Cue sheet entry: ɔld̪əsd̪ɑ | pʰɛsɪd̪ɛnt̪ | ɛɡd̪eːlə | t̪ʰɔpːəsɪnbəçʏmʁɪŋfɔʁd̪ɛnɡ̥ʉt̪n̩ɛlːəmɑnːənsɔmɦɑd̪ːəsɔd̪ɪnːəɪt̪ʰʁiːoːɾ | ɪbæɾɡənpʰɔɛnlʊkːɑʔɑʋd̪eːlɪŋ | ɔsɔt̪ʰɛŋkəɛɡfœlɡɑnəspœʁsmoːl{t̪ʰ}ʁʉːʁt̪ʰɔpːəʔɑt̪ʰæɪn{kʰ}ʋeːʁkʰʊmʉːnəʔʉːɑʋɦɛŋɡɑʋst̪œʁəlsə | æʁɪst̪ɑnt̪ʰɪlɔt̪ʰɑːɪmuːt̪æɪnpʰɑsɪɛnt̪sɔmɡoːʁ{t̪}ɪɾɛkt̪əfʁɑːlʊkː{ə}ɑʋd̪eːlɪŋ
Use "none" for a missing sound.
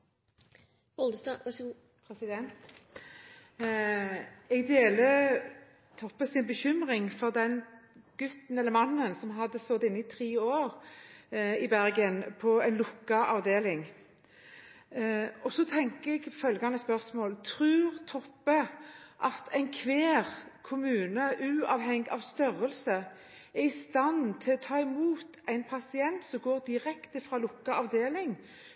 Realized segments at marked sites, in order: t̪ʰ, kʰ, d̪, ɑ

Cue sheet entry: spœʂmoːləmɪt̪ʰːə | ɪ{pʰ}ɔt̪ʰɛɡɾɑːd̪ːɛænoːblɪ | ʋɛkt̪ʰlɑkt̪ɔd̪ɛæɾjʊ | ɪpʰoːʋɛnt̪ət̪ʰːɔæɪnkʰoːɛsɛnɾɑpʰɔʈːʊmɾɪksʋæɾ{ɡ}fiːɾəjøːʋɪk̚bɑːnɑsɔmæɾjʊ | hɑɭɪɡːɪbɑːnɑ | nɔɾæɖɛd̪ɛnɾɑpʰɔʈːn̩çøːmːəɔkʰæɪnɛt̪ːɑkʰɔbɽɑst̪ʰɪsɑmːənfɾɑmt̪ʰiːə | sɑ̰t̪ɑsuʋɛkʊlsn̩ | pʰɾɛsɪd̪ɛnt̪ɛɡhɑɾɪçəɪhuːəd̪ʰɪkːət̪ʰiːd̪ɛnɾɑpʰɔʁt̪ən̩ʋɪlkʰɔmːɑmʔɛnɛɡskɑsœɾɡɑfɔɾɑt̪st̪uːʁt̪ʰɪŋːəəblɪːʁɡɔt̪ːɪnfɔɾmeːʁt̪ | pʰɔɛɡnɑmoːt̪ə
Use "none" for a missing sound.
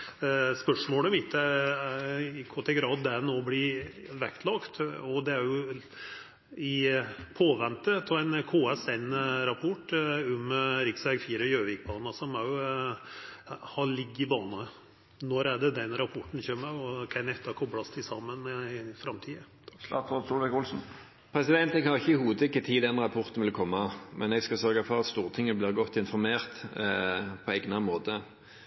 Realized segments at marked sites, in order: kʰ, ɡ

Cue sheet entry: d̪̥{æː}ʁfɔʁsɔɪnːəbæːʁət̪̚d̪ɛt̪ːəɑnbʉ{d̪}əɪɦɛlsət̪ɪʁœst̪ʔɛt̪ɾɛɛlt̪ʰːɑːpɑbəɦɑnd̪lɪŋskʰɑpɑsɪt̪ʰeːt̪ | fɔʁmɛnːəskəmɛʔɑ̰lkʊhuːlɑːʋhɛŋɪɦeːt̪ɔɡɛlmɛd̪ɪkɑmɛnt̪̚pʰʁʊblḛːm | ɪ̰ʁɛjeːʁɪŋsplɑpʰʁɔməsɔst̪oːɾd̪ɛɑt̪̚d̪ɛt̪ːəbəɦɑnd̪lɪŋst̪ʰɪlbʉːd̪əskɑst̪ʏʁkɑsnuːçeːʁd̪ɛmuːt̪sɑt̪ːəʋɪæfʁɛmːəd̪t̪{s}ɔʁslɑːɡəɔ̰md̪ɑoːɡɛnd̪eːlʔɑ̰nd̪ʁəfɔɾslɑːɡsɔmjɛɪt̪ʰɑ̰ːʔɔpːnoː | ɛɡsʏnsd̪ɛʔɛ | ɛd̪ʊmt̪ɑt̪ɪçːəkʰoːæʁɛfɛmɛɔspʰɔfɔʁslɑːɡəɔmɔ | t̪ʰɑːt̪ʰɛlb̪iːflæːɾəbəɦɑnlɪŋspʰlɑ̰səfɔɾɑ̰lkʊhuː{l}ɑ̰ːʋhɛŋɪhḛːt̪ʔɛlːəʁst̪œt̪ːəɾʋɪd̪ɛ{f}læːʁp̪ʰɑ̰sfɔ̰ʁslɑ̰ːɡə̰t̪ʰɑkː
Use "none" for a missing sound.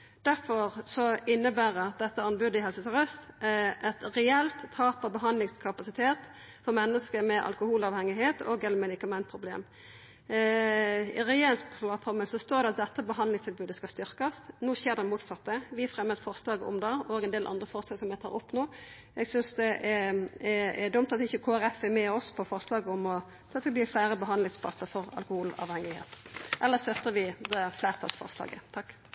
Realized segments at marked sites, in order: æ, d̪, f, l, f

